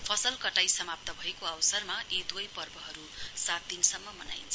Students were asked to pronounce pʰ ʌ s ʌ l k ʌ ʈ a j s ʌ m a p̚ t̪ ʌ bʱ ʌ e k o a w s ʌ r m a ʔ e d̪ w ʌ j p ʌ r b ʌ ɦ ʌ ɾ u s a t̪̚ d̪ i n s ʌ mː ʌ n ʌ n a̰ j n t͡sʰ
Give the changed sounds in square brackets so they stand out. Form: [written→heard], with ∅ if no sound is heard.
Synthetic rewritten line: pʰ ʌ s ʌ l k ʌ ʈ a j s ʌ m a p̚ t̪ ʌ bʱ ʌ e k o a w s ʌ r m a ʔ e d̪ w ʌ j p ʌ r b ʌ ɦ ʌ ɾ u s a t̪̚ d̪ i n s ʌ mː ʌ [n→m] ʌ n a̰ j n t͡sʰ

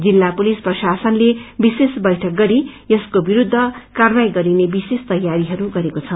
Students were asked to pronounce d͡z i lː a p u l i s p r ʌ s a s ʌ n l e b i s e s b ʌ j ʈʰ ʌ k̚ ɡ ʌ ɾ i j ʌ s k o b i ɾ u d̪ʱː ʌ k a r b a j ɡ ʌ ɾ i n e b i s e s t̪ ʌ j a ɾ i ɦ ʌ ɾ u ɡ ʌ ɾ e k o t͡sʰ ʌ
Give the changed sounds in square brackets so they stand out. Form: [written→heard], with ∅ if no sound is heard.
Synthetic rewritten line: d͡z i lː a p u l i s p r ʌ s a s ʌ n l e b i s e s b ʌ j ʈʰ ʌ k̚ ɡ ʌ ɾ i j ʌ s k o b i ɾ u d̪ʱː ʌ k a r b a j ɡ ʌ ɾ i n e b i s e s t̪ ʌ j a ɾ i ɦ ʌ ɾ u ɡ ʌ ɾ e k o t͡sʰ ʌ

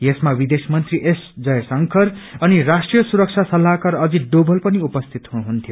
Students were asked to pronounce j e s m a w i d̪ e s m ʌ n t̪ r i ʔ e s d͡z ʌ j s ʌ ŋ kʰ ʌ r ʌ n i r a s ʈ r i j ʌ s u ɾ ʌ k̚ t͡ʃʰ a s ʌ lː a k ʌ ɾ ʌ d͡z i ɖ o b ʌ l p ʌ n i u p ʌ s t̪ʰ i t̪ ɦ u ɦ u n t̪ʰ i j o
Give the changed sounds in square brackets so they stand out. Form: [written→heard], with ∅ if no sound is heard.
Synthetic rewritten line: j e s m a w i d̪ e s m ʌ n t̪ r i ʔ e s d͡z ʌ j s ʌ ŋ kʰ ʌ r ʌ n i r a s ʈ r i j ʌ s u ɾ ʌ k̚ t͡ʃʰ a s ʌ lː a k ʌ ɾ ʌ d͡z i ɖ o b ʌ l p ʌ n i u p ʌ s t̪ʰ i t̪ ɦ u ɦ u n t̪ʰ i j o

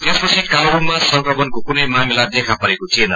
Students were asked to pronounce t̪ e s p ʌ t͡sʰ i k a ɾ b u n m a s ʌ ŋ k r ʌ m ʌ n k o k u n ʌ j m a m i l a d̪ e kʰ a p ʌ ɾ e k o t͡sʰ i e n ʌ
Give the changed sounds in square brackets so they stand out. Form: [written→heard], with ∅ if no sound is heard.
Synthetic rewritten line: t̪ e s p ʌ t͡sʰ i k a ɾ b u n m a s ʌ ŋ k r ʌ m ʌ n k o k u n ʌ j m a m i l a d̪ e kʰ a p ʌ ɾ e k o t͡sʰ i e n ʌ

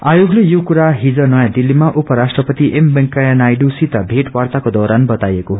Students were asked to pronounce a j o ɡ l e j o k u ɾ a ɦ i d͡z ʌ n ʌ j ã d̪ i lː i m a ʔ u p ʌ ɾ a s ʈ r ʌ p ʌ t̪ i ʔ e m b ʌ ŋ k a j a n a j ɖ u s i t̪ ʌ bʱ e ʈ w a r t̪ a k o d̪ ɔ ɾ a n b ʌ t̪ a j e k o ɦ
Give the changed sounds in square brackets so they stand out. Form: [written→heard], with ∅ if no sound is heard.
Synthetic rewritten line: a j o ɡ l e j o k u ɾ a ɦ i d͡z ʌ n ʌ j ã d̪ i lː i m a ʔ u p ʌ ɾ a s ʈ r ʌ p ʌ t̪ i ʔ e m b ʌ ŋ k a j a n a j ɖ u s i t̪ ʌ bʱ e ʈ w a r t̪ a k o d̪ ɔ ɾ a n b ʌ t̪ a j e k o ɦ

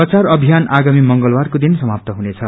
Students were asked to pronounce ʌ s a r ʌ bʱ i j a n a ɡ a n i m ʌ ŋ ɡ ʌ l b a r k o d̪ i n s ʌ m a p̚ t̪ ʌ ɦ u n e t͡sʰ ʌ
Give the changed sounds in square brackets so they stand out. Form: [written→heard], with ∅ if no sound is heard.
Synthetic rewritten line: ʌ [s→t͡s] a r ʌ bʱ i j a n a ɡ a [n→m] i m ʌ ŋ ɡ ʌ l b a r k o d̪ i n s ʌ m a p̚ t̪ ʌ ɦ u n e t͡sʰ ʌ

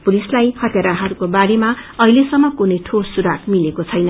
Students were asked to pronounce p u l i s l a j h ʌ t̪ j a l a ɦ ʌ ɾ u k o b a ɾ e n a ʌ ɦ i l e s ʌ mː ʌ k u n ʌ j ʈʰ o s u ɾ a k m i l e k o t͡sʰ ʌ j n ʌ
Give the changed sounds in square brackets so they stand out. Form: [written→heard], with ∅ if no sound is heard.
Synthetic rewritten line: p u l i s l a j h ʌ t̪ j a [l→ɾ] a ɦ ʌ ɾ u k o b a ɾ e [n→m] a ʌ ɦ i l e s ʌ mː ʌ k u n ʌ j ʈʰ o s u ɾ a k m i l e k o t͡sʰ ʌ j n ʌ

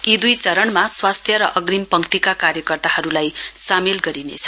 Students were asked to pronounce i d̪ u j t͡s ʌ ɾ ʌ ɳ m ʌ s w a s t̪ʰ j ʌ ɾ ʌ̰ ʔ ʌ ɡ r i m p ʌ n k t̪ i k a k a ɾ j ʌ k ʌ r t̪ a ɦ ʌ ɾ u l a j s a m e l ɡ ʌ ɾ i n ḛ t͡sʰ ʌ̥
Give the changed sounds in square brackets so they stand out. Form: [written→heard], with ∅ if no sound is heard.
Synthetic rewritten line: i d̪ u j t͡s ʌ ɾ ʌ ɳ m [ʌ→a] s w a s t̪ʰ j ʌ ɾ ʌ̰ ʔ ʌ ɡ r i m p ʌ [n→ŋ] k t̪ i k a k a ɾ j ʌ k ʌ r t̪ a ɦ ʌ ɾ u l a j s a m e l ɡ ʌ ɾ i n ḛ t͡sʰ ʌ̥

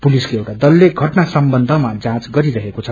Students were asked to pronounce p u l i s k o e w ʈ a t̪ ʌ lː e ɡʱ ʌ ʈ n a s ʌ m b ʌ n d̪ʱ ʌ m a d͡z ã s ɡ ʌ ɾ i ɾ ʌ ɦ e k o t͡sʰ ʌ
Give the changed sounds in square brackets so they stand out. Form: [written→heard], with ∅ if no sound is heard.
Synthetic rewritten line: p u l i s k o e w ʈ a [t̪→d̪] ʌ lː e ɡʱ ʌ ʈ n a s ʌ m b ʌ n d̪ʱ ʌ m a d͡z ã [s→t͡s] ɡ ʌ ɾ i ɾ ʌ ɦ e k o t͡sʰ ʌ

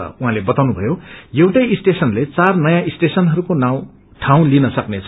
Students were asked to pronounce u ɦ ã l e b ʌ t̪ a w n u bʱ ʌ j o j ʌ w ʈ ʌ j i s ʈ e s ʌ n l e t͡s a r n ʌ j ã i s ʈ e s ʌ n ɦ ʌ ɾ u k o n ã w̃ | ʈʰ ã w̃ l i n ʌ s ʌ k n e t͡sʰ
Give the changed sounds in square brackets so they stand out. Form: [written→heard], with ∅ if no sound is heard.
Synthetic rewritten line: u ɦ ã l e b ʌ t̪ a w n u bʱ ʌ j o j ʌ w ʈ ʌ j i s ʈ e s ʌ n l e t͡s a r n ʌ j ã i s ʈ e s ʌ n ɦ ʌ ɾ u k o n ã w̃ | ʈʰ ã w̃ l i n ʌ s ʌ k n e t͡sʰ

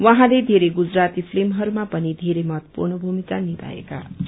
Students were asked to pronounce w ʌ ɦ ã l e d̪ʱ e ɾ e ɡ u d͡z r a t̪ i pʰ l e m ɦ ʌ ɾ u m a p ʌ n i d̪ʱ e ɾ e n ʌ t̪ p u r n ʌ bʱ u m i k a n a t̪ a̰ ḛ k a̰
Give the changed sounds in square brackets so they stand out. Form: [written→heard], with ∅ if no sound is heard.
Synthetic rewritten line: w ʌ ɦ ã l e d̪ʱ e ɾ e ɡ u d͡z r a t̪ i pʰ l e m ɦ ʌ ɾ u m a p ʌ n i d̪ʱ e ɾ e [n→m] ʌ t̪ p u r n ʌ bʱ u m i k a n [a→i] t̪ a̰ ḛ k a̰

